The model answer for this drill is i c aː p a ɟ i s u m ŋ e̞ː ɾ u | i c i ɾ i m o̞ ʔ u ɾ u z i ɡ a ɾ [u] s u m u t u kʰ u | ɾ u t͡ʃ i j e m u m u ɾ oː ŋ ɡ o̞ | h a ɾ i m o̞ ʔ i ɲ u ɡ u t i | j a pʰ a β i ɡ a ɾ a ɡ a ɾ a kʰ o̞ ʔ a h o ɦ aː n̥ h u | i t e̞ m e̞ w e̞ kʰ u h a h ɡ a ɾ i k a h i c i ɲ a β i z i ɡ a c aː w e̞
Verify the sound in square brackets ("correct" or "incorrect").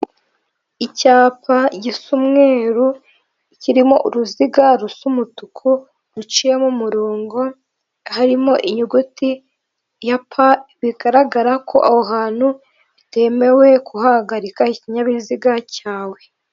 correct